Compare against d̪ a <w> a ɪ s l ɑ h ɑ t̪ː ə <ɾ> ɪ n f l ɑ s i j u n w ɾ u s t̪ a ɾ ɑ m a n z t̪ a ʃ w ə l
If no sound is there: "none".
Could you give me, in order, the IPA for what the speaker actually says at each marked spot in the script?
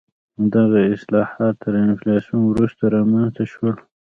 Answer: ɣ, ɾ

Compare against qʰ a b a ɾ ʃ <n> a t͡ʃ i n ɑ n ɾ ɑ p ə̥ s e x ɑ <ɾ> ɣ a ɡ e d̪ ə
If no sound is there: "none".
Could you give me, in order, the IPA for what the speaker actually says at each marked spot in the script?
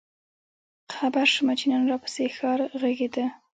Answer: m, ɾ

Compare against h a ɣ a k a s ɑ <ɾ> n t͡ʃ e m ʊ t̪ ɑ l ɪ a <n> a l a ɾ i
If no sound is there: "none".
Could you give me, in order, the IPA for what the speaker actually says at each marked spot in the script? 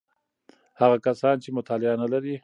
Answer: none, n

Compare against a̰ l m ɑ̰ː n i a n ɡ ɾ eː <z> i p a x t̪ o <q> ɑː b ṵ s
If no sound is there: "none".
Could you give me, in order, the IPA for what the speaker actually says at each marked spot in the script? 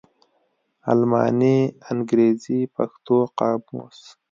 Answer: z, q

